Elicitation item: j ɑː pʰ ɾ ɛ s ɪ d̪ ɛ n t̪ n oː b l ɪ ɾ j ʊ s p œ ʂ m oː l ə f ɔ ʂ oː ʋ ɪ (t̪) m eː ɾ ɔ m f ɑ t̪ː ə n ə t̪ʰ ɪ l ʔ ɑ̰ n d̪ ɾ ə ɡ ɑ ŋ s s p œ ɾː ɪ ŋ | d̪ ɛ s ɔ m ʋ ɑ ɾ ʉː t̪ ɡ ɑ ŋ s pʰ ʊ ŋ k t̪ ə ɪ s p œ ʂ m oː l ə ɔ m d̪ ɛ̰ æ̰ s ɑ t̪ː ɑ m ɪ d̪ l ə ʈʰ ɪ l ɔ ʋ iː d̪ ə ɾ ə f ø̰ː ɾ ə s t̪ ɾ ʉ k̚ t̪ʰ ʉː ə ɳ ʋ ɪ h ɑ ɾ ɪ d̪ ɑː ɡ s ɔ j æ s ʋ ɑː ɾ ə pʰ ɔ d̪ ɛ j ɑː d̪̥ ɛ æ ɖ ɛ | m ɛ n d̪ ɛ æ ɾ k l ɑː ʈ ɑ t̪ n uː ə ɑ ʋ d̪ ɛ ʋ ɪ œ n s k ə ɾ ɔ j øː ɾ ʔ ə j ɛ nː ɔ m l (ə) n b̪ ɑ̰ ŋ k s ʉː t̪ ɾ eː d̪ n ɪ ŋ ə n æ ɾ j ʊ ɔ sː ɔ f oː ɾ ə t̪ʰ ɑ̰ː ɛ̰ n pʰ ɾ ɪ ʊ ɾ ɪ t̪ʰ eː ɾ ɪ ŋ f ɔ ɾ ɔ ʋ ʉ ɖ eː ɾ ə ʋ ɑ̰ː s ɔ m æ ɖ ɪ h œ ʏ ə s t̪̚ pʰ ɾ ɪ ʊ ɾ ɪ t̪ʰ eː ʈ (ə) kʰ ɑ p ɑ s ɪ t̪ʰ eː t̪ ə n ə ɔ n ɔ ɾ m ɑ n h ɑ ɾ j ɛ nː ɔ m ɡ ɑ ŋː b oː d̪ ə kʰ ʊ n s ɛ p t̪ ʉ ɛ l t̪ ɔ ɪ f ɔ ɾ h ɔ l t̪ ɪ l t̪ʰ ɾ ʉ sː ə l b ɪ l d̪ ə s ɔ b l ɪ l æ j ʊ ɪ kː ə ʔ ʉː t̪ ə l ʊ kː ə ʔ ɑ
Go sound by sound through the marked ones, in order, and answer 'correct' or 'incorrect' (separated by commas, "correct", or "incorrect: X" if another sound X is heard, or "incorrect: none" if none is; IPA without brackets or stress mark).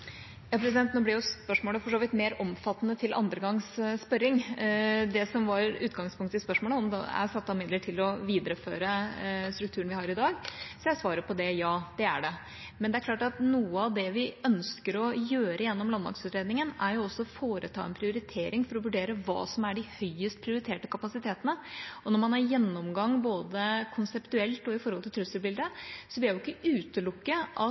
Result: correct, incorrect: ɑ, correct